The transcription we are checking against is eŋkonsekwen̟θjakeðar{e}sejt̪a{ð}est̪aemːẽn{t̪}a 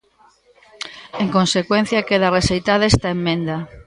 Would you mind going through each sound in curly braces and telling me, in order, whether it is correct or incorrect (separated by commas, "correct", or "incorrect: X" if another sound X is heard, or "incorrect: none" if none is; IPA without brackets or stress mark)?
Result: correct, correct, incorrect: d̪